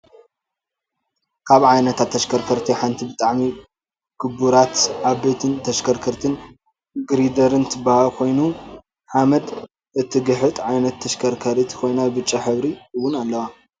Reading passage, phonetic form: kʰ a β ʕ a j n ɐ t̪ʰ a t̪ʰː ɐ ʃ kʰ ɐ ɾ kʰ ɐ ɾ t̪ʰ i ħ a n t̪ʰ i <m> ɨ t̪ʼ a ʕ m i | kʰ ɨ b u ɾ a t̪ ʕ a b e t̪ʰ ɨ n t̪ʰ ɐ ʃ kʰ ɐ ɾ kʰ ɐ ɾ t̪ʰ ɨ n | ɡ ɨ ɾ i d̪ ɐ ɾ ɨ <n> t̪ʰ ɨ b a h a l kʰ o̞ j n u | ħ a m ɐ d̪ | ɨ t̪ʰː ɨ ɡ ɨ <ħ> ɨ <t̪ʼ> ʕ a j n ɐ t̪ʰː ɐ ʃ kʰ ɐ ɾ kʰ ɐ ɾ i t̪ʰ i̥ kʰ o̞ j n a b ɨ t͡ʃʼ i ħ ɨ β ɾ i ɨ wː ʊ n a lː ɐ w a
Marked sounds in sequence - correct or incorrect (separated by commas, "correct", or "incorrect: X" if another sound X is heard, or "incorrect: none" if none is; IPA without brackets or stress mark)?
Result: incorrect: b, correct, correct, correct